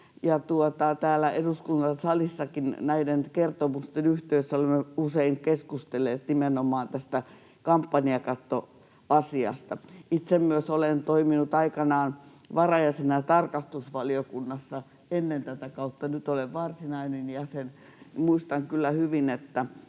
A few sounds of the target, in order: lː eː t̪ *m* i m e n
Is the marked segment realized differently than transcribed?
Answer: yes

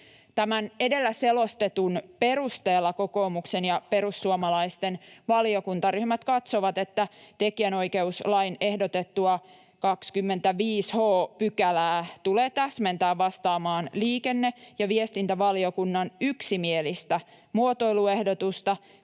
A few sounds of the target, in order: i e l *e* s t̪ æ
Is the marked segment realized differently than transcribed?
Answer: yes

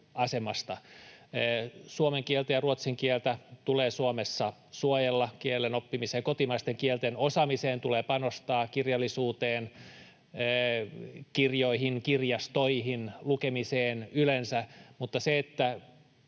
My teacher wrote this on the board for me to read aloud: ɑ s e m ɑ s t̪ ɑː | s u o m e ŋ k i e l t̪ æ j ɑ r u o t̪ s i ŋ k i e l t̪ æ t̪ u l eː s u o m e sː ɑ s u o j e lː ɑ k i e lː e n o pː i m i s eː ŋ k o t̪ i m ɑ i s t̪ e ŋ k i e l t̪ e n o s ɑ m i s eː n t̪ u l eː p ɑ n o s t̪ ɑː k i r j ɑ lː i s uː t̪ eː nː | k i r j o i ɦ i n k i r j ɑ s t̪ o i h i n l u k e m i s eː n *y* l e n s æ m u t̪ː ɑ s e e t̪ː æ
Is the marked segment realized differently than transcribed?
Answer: no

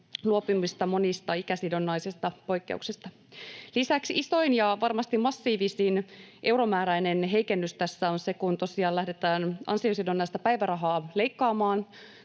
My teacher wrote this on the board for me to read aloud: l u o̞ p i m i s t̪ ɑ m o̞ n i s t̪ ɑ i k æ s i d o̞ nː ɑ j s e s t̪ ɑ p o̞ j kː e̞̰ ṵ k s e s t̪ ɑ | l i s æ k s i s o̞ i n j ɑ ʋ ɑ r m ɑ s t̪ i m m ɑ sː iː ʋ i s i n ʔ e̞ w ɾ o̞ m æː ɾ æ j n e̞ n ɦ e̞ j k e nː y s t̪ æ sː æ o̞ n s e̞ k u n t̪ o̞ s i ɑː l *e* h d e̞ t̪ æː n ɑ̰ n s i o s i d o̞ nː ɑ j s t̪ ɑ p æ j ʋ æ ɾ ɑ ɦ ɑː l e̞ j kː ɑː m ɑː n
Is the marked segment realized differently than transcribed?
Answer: yes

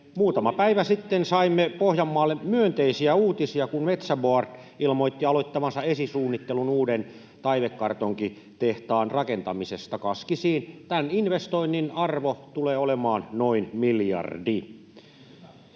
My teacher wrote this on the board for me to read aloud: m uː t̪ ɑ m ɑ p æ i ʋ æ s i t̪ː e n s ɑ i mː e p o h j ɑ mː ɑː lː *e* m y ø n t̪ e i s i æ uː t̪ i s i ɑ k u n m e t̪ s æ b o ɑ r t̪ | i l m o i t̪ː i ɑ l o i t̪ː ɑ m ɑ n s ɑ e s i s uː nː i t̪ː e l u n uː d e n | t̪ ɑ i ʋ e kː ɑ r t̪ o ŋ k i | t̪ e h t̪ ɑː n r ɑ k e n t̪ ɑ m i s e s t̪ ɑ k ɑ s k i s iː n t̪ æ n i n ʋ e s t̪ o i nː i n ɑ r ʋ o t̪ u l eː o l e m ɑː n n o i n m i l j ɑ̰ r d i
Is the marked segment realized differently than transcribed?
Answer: no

